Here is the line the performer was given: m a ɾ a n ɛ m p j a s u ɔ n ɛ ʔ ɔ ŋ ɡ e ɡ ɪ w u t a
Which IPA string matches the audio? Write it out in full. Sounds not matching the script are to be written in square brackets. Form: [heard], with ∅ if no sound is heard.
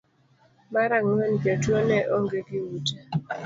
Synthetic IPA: m a ɾ a [ŋ] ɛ [n] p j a [t] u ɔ n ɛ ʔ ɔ ŋ ɡ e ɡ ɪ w u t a